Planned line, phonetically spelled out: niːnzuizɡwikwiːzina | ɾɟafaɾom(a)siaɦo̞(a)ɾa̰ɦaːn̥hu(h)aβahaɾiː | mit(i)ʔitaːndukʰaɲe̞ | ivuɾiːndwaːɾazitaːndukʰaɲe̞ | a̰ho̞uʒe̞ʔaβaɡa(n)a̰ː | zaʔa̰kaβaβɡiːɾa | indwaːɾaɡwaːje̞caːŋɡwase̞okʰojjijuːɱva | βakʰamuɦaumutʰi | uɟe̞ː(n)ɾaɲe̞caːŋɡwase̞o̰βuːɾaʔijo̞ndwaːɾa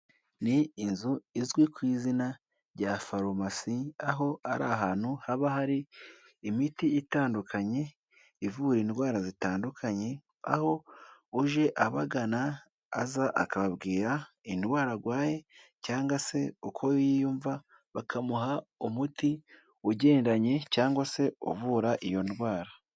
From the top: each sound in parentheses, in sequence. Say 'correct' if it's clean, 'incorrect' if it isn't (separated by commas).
correct, correct, correct, correct, correct, correct